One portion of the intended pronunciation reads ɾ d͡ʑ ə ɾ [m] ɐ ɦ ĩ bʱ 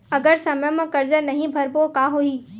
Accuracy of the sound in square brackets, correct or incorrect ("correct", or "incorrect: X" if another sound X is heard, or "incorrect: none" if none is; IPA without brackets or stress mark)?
incorrect: n